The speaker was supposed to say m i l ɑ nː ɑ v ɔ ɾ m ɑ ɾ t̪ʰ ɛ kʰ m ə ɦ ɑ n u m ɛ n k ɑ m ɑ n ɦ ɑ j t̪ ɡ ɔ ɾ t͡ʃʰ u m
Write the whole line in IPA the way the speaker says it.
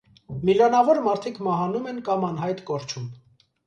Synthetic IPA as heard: m i l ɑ n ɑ v ɔ ɾ m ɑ ɾ t̪ʰ i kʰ m ɑ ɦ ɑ n u m ɛ n k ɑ m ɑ n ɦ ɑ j t̪ k ɔ ɾ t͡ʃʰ u m